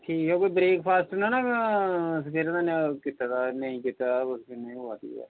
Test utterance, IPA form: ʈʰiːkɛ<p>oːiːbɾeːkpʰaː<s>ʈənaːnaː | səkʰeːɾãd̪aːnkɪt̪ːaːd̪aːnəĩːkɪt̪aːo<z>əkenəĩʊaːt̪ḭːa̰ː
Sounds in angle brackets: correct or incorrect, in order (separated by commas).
incorrect, correct, incorrect